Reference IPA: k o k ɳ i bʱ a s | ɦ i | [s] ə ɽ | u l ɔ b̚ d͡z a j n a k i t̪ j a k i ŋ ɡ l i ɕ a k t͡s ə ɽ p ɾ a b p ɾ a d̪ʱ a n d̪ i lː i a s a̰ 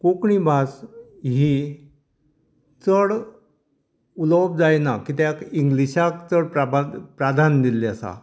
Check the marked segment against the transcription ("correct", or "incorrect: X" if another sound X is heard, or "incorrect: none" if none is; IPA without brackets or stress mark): incorrect: t͡s